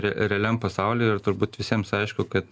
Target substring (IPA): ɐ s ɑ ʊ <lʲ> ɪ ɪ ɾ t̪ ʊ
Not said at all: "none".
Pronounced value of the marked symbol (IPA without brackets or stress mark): lʲ